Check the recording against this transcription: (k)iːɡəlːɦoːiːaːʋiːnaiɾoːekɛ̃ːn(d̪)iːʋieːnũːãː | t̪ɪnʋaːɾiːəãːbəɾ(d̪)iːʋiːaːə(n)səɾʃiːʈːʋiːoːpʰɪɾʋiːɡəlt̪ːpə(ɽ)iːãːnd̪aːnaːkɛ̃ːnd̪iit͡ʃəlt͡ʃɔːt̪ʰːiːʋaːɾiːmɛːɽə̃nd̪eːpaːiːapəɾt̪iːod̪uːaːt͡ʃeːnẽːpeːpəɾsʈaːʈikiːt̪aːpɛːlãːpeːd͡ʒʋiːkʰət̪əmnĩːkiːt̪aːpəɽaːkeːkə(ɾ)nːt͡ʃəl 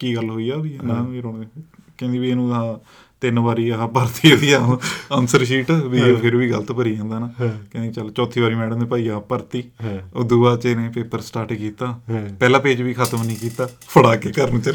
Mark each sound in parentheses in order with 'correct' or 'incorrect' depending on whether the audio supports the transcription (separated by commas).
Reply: correct, correct, incorrect, correct, incorrect, correct